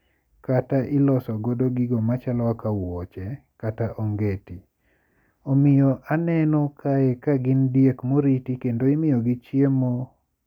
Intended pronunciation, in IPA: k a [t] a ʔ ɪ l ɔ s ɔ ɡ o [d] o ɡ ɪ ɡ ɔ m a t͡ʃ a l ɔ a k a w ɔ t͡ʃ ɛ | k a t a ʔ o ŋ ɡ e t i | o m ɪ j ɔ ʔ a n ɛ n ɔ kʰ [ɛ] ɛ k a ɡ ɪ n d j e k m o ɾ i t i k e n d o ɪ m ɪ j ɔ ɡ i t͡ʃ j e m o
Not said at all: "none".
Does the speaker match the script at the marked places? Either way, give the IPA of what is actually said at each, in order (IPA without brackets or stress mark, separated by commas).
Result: t, d, a